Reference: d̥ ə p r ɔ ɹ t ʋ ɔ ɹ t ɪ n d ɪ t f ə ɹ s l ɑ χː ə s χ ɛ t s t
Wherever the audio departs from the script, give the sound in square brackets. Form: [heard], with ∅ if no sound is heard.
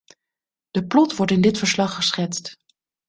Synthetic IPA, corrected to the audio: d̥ ə p [l] ɔ [∅] t ʋ ɔ ɹ t ɪ n d ɪ t f ə ɹ s l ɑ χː ə s χ ɛ t s t